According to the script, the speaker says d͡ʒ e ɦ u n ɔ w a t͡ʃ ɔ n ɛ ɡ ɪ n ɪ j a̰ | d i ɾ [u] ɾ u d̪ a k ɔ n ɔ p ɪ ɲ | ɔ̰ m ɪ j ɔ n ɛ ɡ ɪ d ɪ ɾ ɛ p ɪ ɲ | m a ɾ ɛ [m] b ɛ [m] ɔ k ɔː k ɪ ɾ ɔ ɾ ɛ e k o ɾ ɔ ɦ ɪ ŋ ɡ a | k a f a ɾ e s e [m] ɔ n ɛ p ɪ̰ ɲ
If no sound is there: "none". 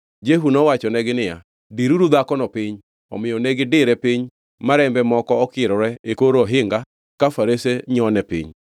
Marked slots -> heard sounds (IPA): u, m, m, ɲ

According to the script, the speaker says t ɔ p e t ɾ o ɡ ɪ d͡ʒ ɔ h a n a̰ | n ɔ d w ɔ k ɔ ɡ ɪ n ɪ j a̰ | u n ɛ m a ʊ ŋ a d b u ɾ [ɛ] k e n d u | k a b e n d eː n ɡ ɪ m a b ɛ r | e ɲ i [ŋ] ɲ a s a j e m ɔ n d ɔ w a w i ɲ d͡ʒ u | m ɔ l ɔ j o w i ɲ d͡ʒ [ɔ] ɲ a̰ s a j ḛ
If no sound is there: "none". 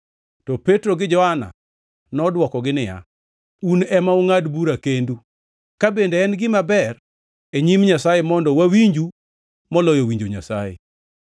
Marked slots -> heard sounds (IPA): a, m, o

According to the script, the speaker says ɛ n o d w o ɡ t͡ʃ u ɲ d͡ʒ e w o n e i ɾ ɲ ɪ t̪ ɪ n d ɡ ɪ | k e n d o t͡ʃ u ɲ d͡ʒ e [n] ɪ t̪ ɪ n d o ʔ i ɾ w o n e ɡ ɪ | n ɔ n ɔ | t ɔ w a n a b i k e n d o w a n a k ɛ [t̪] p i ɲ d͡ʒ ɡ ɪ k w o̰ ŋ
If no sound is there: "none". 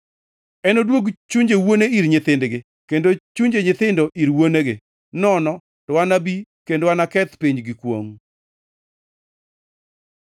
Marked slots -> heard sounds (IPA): ɲ, t̪

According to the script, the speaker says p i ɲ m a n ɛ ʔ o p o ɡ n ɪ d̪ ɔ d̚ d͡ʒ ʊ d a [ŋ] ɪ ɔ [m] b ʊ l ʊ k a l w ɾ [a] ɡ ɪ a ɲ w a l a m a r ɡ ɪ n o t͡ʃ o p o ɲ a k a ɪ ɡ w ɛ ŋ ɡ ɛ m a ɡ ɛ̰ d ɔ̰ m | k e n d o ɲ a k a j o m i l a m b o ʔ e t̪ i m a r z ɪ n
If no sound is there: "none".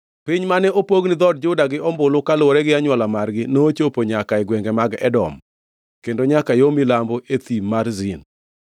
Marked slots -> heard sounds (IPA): ɡ, m, ɛ

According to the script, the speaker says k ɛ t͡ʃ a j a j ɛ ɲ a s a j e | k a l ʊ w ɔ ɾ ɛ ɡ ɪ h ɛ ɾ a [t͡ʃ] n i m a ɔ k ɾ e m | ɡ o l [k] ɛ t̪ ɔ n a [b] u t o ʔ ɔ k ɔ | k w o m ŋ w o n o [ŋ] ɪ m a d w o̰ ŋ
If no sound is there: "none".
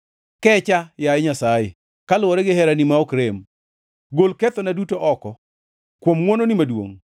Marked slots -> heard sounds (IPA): none, k, d, n

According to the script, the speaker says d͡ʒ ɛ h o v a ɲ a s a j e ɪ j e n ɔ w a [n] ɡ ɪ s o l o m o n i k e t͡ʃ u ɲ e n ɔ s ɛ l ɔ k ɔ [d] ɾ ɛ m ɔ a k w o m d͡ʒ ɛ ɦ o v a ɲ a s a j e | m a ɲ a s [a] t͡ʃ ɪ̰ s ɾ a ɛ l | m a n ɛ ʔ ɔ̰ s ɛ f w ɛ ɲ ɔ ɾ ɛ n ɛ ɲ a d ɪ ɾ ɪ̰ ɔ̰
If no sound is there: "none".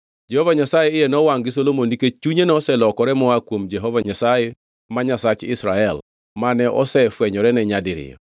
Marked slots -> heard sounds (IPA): ŋ, none, a

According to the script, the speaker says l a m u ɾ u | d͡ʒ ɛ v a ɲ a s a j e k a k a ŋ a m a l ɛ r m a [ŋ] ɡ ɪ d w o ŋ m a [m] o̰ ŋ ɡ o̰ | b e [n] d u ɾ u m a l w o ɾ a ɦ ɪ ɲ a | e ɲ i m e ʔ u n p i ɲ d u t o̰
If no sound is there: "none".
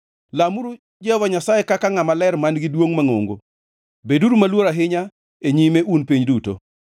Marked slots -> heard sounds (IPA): n, ŋ, none

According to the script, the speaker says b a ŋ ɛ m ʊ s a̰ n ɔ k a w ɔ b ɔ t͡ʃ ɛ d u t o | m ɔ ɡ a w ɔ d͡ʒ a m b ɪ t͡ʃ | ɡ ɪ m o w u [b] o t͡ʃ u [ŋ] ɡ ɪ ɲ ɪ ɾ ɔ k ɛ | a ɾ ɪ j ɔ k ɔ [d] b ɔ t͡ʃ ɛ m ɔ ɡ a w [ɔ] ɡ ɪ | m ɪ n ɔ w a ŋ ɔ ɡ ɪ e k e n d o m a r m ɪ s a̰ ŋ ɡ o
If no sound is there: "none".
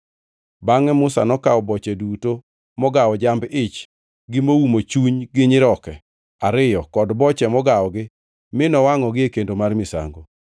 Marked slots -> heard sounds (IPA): m, ɲ, d, ɔ

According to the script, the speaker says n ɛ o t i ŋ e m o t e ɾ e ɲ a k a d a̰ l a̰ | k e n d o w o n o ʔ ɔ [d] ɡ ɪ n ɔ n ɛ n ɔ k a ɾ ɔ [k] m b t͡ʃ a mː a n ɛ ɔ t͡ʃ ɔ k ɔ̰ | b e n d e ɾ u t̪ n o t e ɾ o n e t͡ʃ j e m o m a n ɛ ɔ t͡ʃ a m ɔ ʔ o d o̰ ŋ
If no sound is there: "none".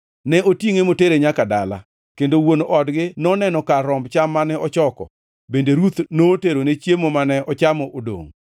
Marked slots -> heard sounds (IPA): d, none

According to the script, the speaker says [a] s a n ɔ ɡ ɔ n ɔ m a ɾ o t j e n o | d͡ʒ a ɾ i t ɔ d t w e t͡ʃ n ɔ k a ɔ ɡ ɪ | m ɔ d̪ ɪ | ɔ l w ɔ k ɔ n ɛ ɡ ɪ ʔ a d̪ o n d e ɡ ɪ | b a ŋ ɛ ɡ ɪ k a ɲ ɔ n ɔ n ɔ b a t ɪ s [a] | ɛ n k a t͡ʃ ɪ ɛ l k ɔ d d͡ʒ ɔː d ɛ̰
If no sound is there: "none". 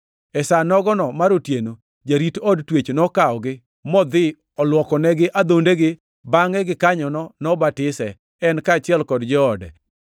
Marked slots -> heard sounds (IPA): ɛ, ɛ

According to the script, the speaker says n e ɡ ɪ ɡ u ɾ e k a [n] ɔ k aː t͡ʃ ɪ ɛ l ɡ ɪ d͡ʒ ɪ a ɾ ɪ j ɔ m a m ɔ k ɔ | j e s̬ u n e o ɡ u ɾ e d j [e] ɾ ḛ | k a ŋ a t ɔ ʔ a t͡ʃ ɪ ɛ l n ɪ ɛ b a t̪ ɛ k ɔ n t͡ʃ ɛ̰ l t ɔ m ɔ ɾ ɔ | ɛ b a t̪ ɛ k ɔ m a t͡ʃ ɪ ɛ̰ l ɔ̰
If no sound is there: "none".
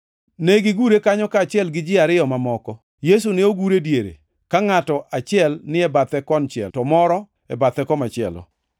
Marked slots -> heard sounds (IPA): ɲ, e

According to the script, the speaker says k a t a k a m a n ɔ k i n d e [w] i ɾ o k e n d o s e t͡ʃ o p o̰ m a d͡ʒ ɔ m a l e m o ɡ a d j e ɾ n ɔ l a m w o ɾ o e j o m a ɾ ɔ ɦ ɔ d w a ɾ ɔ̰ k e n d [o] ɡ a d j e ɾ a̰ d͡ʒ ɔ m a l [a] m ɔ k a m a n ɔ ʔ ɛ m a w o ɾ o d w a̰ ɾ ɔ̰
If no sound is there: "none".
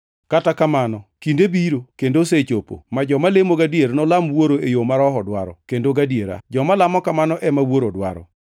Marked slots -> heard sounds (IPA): b, o, a

